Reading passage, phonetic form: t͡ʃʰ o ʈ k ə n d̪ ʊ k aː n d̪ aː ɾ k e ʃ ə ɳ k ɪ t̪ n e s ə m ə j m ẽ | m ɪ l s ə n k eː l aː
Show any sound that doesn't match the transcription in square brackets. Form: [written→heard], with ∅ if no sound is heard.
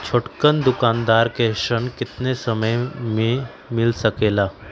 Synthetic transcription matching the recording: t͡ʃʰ o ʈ k ə n d̪ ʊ k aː n d̪ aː ɾ k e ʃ ə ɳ k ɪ t̪ n e s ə m ə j m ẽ | m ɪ l s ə [n→∅] k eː l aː

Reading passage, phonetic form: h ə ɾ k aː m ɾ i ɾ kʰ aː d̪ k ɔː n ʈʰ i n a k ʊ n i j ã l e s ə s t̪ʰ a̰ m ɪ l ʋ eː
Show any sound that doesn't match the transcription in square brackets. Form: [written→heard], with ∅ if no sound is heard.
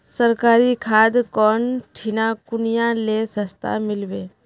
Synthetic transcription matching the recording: [h→s] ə ɾ k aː [m→∅] ɾ i [ɾ→∅] kʰ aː d̪ k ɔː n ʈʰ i n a k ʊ n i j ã l e s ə s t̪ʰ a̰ m ɪ l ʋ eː

